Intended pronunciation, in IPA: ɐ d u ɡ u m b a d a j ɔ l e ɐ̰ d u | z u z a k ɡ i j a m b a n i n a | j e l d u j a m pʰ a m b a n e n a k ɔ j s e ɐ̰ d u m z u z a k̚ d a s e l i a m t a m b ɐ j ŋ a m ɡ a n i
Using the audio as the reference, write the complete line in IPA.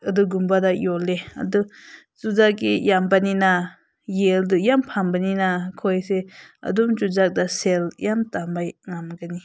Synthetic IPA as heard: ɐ d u ɡ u m b a d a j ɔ l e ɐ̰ d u | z u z a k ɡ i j a m b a n i n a | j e l d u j a m pʰ a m b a n i n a kʰ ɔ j s e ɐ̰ d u m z u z a k̚ d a s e l j a m t a m b a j ŋ a m ɡ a n i

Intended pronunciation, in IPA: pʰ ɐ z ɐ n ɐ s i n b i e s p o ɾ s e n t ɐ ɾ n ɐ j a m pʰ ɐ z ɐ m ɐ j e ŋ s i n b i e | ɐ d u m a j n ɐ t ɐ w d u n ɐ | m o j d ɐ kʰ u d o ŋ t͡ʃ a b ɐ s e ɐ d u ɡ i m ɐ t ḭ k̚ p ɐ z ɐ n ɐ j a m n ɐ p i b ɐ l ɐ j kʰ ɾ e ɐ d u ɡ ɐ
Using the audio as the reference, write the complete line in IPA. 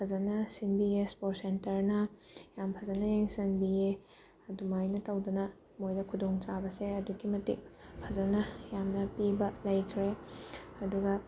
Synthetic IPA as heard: pʰ ɐ z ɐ n ɐ s i n b i e s p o ɾ s e n t ɐ ɾ n ɐ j a m pʰ ɐ z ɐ n ɐ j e ŋ s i n b i e | ɐ d u m a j n ɐ t ɐ w d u n ɐ | m o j d ɐ kʰ u d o ŋ t͡ʃ a b ɐ s e ɐ d u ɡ i m ɐ t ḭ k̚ pʰ ɐ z ɐ n ɐ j a m n ɐ p i b ɐ l ɐ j kʰ ɾ e ɐ d u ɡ ɐ

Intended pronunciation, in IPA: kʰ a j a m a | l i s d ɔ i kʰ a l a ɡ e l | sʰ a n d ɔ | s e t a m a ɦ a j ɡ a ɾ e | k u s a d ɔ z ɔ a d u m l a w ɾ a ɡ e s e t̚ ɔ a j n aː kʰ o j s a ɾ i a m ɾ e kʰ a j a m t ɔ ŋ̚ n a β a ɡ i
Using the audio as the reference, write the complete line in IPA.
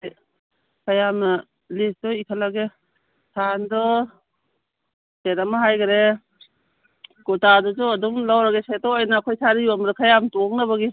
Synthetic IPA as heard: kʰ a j a m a | l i s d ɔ i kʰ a l a ɡ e | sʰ a n d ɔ | s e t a m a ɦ a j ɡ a ɾ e | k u t a d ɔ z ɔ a d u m l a w ɾ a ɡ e s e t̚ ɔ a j n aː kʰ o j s a ɾ i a m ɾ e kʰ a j a m t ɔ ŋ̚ n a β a ɡ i

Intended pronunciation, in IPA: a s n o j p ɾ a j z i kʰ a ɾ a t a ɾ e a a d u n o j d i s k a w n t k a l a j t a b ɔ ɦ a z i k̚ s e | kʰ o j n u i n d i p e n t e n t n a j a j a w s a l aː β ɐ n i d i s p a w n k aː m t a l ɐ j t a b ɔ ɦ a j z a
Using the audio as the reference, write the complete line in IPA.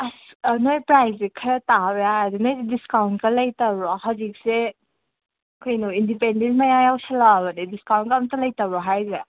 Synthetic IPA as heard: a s n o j p ɾ a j z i kʰ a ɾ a t a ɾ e a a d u n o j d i s k a w n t k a l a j t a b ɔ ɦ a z i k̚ s e | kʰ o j n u i n d i p e n d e n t m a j a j a w s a l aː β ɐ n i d i s k a w n k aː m t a l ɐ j t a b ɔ ɦ a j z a

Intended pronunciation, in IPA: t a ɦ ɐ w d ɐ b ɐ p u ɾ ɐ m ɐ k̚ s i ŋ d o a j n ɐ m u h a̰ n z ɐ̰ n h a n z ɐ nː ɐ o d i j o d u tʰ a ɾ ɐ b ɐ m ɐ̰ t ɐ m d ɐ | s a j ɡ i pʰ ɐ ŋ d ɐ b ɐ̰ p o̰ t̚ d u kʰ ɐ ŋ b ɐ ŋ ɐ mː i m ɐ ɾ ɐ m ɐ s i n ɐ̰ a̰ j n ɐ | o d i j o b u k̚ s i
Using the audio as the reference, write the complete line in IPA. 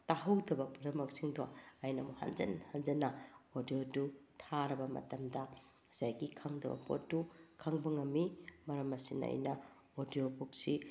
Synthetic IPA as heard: t a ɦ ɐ w d ɐ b ɐ p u ɾ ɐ m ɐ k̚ s i ŋ d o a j n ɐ m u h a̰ n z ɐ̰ n h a n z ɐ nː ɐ o d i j o d u tʰ a ɾ ɐ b ɐ m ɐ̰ t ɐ m d ɐ | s a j ɡ i kʰ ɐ ŋ d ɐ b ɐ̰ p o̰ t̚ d u kʰ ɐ ŋ b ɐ ŋ ɐ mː i m ɐ ɾ ɐ m ɐ s i n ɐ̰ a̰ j n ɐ | o d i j o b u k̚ s i

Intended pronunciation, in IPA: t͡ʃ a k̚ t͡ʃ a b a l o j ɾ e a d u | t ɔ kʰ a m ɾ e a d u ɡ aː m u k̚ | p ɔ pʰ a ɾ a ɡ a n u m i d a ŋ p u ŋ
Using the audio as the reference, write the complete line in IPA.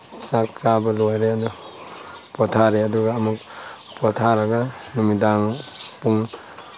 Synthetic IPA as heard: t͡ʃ a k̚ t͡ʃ a b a l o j ɾ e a d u | p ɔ tʰ a ɾ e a d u ɡ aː m u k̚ | p ɔ tʰ a ɾ a ɡ a n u m i d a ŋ p u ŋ

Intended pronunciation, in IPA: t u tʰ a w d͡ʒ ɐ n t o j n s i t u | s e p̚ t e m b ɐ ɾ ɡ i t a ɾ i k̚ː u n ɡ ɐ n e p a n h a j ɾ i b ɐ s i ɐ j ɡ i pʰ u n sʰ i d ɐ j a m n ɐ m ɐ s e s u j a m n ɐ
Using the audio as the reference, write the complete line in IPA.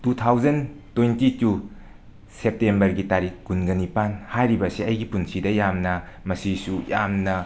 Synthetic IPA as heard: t u tʰ a w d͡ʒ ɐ n t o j n t i t u | s e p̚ t e m b ɐ ɾ ɡ i t a ɾ i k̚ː u n ɡ ɐ n i p a n h a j ɾ i b ɐ s i ɐ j ɡ i p u n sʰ i d ɐ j a m n ɐ m ɐ s i s u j a m n ɐ

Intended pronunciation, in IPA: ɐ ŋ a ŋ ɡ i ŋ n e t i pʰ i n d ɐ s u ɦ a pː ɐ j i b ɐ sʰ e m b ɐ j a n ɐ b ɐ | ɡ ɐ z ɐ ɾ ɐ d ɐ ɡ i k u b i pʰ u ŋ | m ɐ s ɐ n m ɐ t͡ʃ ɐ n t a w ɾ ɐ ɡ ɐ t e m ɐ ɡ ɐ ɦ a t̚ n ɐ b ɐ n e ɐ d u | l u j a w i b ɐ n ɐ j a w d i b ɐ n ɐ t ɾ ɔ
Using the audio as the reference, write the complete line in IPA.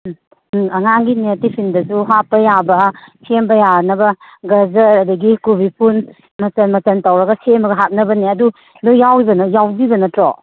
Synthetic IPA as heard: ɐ ŋ a ŋ ɡ i n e t i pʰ i n d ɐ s u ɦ a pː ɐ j a b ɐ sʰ e m b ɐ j a n ɐ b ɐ | ɡ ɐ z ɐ ɾ ɐ d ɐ ɡ i k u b i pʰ u n | m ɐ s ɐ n m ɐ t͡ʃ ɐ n t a w ɾ ɐ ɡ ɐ s e m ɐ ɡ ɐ ɦ a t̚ n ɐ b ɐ n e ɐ d u | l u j a w i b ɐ n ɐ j a w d i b ɐ n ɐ t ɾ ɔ

